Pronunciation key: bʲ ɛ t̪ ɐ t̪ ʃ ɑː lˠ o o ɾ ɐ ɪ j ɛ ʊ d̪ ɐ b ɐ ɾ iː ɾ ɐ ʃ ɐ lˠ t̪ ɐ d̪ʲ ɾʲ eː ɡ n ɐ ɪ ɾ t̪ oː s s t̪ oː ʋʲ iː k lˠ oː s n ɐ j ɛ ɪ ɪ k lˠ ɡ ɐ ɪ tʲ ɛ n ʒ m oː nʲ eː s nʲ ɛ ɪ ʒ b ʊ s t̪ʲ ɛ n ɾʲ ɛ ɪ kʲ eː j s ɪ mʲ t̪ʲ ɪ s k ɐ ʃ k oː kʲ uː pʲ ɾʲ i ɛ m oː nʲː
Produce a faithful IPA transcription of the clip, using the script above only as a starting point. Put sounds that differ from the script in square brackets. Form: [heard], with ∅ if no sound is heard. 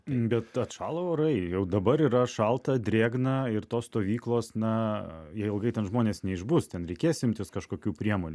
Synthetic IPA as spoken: bʲ ɛ t̪ ɐ t̪ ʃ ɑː lˠ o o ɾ ɐ ɪ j ɛ ʊ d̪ ɐ b ɐ ɾ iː ɾ ɐ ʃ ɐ lˠ t̪ ɐ d̪ʲ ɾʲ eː ɡ n ɐ ɪ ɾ t̪ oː s s t̪ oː ʋʲ iː k lˠ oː s n ɐ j ɛ ɪ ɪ [∅] lˠ ɡ ɐ ɪ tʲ ɛ n ʒ m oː nʲ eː s nʲ ɛ ɪ ʒ b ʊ s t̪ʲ ɛ n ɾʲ ɛ ɪ kʲ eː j s ɪ mʲ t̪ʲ ɪ s k ɐ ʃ k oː kʲ uː pʲ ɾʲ i ɛ m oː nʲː